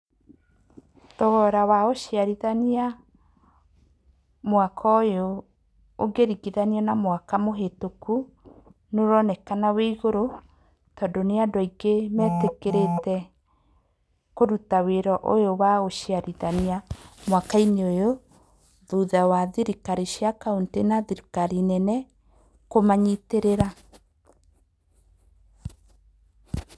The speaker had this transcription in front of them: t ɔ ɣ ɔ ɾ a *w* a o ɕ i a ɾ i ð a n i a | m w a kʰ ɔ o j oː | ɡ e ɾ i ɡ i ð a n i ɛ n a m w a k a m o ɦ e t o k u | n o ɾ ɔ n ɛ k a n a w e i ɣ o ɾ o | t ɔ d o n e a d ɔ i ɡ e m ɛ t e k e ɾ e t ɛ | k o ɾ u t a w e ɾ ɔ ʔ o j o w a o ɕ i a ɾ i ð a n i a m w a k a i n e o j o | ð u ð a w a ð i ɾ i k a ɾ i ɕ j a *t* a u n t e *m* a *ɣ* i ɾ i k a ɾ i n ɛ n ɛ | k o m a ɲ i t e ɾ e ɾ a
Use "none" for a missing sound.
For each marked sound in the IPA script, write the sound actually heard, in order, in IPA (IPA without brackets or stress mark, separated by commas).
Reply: w, k, n, ð